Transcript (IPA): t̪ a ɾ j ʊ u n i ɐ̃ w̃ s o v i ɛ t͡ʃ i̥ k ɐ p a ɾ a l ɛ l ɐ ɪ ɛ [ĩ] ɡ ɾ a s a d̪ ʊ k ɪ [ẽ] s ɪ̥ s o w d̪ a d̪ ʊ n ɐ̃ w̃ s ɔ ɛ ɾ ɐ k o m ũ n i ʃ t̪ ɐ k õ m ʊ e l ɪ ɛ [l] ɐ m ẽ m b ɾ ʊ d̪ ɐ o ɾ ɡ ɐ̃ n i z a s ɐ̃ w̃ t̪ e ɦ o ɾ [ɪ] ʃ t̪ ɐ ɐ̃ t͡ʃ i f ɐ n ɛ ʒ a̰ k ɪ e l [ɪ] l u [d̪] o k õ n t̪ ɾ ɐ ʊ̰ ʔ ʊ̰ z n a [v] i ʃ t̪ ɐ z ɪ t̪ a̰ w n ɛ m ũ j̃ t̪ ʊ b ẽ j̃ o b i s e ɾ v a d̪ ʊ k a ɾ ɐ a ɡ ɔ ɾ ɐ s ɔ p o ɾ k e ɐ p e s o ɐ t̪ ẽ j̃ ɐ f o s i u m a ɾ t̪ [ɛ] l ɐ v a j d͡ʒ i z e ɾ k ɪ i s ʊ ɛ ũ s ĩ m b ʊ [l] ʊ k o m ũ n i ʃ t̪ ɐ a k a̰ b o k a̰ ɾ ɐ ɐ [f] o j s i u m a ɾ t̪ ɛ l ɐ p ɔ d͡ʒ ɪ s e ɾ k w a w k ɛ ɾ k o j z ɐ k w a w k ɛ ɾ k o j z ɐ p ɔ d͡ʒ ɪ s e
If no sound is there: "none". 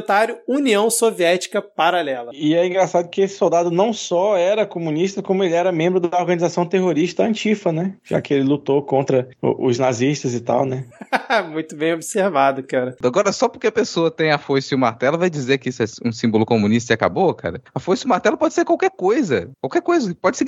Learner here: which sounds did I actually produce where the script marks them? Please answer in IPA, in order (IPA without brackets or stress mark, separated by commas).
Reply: ĩ, e, ɾ, i, ɪ, t̪, z, ɛ, l, f